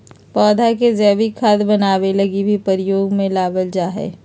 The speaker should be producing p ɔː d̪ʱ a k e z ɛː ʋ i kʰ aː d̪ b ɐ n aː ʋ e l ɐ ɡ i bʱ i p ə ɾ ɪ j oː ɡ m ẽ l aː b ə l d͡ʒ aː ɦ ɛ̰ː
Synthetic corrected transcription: p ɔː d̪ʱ a k e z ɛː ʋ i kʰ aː d̪ b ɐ n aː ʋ e l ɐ ɡ i bʱ i p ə ɾ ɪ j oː ɡ m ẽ l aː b ə l d͡ʒ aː ɦ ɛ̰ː